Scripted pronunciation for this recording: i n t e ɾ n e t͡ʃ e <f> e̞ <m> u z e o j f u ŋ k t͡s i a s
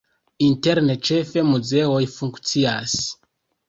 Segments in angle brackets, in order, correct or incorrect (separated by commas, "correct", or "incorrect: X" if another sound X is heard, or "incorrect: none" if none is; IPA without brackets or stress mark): correct, correct